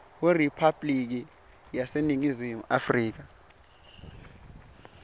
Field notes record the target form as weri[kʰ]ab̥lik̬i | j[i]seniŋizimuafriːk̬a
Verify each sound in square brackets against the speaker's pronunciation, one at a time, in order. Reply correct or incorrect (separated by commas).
incorrect, incorrect